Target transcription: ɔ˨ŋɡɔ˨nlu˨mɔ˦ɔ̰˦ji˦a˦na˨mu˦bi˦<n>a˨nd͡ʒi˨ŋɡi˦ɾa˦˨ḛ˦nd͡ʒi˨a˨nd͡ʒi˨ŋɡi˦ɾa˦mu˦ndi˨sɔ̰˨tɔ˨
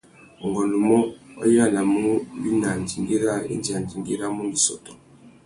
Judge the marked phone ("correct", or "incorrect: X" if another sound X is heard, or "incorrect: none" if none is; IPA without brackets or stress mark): correct